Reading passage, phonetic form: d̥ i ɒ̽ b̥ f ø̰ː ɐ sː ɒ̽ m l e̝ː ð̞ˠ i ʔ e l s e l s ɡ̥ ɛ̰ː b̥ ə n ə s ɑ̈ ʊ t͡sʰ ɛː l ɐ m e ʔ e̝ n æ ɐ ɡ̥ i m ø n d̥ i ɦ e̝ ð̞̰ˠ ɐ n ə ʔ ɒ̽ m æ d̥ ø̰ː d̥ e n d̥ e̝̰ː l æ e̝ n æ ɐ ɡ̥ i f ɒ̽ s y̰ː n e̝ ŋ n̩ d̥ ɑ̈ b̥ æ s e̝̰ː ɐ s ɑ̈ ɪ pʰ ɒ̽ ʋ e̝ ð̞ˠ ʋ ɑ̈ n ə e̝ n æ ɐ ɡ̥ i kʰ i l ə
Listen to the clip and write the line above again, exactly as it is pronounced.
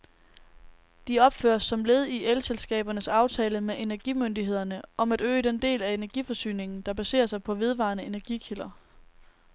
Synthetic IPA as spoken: d̥ i ɒ̽ b̥ f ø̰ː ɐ sː ɒ̽ m l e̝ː ð̞ˠ i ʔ e l s e l s ɡ̥ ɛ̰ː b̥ ɐ n ə s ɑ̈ ʊ t͡sʰ ɛː l ə m e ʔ e̝ n æ ɐ ɡ̥ i m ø n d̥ i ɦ e̝ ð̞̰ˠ ɐ n ə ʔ ɒ̽ m æ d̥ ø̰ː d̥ e n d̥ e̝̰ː l æ e̝ n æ ɐ ɡ̥ i f ɒ̽ s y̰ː n e̝ ŋ n̩ d̥ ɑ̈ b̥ æ s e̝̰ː ɐ s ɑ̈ ɪ pʰ ɒ̽ ʋ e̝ ð̞ˠ ʋ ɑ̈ n ə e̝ n æ ɐ ɡ̥ i kʰ i l ɐ